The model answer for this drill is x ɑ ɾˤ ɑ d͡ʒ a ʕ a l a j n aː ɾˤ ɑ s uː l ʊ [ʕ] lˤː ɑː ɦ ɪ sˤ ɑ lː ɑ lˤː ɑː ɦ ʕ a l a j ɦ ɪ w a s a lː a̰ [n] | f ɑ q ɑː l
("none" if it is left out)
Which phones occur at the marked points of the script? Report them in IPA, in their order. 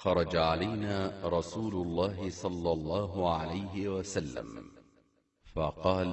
none, m

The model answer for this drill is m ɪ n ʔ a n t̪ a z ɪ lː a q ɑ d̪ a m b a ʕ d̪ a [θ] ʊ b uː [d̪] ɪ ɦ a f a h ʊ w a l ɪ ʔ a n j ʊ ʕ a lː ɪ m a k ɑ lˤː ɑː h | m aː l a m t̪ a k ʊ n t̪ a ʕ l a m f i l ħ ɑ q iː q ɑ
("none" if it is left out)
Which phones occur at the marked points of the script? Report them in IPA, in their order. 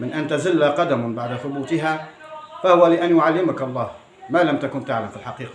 θ, t̪

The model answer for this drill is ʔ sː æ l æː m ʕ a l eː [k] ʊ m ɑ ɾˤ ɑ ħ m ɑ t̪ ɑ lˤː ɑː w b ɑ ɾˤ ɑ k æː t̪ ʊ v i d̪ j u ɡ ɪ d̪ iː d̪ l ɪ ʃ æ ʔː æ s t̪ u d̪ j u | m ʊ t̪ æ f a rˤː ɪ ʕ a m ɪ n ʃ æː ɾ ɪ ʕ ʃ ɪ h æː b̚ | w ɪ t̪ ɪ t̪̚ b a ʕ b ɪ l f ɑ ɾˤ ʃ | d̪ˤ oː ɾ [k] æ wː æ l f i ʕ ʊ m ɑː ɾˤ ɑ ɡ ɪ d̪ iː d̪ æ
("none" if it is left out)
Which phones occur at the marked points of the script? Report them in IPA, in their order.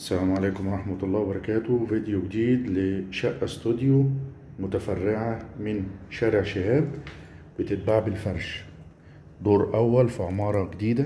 k, ʔ

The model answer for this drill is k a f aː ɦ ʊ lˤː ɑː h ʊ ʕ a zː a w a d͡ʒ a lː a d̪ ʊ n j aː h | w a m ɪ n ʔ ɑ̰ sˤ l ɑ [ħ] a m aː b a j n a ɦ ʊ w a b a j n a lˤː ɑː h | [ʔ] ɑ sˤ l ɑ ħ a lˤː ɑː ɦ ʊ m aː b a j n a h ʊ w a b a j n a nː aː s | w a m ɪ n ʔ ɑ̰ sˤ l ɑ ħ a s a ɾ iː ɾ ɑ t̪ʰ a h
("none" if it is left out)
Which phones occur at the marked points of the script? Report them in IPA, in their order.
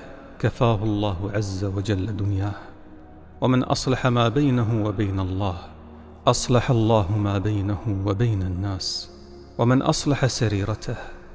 ħ, ʔ

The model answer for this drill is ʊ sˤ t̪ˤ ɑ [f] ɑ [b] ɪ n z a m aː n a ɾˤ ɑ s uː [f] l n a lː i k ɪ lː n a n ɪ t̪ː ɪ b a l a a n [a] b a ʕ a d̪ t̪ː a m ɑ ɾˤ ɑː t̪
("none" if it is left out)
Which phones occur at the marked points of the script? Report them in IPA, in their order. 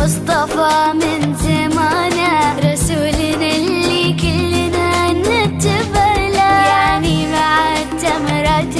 f, m, none, i

